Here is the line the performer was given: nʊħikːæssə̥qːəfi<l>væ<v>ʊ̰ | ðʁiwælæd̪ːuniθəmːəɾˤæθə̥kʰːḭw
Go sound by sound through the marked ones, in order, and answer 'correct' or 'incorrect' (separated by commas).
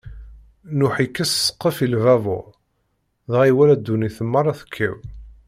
correct, correct